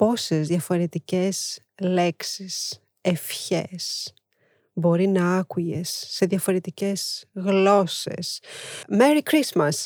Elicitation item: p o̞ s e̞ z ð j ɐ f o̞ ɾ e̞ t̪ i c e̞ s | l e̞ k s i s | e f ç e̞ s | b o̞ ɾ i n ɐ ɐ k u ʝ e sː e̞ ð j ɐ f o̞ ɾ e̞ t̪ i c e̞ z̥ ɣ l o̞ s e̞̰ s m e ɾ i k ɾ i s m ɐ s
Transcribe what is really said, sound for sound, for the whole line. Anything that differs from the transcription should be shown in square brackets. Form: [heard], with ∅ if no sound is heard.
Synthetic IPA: p o̞ s e̞ z ð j ɐ f o̞ ɾ e̞ t̪ i c e̞ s | l e̞ k s i s | e f ç e̞ s | b o̞ ɾ i n ɐ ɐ k u ʝ e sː e̞ ð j ɐ f o̞ ɾ e̞ t̪ i c e̞ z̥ ɣ l o̞ s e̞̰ s m e ɾ i k ɾ i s m ɐ s